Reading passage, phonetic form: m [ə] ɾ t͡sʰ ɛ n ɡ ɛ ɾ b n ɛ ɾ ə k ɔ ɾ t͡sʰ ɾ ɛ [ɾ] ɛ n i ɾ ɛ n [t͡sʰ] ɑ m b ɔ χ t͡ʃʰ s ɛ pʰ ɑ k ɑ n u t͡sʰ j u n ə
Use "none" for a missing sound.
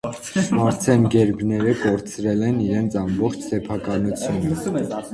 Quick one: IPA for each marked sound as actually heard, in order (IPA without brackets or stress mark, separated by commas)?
ɑ, l, t͡sʰ